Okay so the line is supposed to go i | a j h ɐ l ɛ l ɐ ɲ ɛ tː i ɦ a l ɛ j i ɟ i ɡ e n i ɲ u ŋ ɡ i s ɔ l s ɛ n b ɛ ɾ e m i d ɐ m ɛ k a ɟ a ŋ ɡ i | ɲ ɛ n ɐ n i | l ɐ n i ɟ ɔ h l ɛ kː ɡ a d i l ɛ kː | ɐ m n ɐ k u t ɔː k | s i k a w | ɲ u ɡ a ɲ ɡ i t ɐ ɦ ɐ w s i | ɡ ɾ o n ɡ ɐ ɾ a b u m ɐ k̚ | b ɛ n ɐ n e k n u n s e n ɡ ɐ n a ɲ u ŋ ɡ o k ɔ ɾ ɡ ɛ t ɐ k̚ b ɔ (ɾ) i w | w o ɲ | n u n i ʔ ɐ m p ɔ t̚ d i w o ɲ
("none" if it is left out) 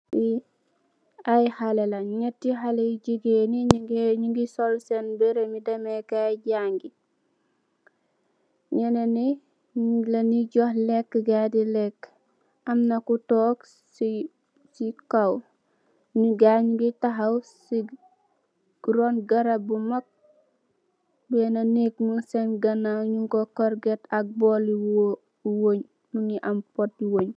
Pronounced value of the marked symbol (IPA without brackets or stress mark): l